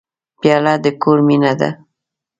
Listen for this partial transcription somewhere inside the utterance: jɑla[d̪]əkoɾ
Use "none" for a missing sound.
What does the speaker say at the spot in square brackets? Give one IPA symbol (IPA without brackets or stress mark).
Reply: d̪